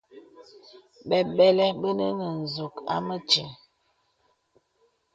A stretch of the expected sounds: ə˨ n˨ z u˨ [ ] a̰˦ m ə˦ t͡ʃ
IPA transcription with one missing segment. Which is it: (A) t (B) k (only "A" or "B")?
B